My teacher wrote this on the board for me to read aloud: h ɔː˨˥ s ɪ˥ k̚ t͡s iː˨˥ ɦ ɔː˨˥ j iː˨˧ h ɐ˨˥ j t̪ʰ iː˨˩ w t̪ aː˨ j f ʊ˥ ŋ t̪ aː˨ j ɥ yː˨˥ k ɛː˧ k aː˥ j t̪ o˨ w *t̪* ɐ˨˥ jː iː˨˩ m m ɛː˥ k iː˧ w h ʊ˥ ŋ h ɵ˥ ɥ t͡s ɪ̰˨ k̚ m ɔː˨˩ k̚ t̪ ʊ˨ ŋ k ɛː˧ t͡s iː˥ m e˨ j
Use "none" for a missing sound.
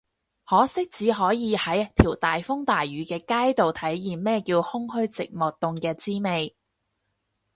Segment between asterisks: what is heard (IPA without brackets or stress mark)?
t̪ʰ